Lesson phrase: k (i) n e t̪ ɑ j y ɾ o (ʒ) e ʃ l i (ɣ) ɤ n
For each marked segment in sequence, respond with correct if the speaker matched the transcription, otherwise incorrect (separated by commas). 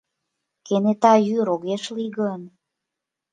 incorrect, incorrect, correct